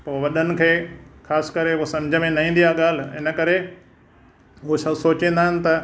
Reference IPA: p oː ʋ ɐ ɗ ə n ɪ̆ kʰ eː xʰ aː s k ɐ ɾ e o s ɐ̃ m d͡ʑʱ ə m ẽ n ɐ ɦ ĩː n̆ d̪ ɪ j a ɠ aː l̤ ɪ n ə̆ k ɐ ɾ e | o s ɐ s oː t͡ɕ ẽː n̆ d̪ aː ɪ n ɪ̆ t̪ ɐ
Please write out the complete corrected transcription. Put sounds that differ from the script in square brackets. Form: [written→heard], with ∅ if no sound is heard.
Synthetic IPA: p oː ʋ ɐ ɗ ə n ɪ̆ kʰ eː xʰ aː s k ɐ ɾ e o s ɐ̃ m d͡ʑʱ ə m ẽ n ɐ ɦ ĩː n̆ d̪ [ɪ→i] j a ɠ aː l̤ ɪ n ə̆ k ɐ ɾ e | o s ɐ s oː t͡ɕ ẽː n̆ d̪ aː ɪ n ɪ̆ t̪ ɐ